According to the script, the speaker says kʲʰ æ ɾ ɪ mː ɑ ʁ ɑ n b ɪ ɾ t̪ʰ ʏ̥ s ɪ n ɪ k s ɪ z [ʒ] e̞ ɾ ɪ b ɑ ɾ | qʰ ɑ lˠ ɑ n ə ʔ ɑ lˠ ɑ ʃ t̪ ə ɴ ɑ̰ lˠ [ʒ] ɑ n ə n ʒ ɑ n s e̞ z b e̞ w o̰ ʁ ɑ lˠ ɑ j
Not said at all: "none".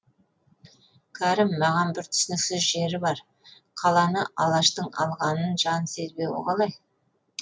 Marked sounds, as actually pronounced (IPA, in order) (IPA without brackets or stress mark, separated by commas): ʒ, ʁ